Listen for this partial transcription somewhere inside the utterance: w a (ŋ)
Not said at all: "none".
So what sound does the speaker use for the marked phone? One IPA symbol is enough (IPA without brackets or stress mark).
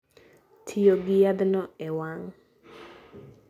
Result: ŋ